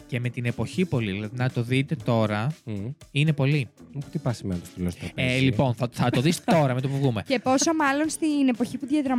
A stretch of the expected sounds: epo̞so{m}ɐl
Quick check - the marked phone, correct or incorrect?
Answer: correct